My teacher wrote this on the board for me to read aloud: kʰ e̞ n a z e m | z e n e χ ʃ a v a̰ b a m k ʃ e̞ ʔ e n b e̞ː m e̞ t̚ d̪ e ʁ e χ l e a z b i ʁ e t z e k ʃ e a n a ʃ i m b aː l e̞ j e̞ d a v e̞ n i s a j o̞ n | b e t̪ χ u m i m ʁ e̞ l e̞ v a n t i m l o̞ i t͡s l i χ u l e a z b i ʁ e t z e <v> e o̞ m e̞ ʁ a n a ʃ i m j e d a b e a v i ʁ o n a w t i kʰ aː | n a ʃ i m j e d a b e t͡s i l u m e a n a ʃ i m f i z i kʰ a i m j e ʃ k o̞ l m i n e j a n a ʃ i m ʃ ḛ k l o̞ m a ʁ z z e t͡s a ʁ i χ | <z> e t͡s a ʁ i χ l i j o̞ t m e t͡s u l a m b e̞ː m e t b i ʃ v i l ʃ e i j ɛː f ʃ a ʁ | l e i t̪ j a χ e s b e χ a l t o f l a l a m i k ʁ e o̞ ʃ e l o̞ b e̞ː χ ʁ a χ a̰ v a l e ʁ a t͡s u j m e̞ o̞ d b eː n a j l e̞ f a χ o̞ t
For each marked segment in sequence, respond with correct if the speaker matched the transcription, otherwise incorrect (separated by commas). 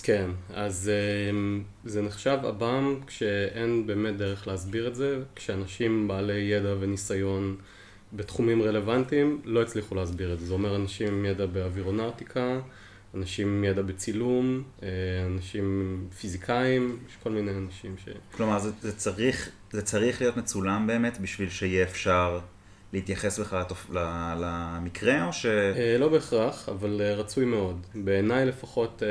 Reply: incorrect, correct